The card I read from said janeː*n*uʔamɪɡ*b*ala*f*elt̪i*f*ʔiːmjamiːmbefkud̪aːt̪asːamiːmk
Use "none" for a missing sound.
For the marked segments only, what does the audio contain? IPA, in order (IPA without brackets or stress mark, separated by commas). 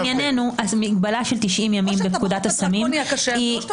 n, b, ʃ, ʃ